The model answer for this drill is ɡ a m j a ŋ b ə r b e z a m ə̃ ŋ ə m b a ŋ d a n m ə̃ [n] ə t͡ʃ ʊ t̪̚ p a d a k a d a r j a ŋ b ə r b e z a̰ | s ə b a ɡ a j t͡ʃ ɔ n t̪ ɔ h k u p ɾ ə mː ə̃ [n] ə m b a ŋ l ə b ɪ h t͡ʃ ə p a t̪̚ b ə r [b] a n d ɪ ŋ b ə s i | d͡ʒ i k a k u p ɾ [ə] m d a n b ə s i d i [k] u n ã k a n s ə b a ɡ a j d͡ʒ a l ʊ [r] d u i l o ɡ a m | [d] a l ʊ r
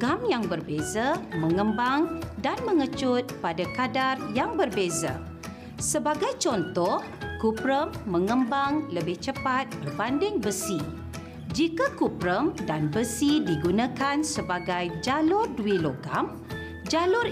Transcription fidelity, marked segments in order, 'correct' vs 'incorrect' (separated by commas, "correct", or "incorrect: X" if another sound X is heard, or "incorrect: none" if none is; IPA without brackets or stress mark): incorrect: ŋ, incorrect: ŋ, correct, correct, incorrect: ɡ, correct, incorrect: d͡ʒ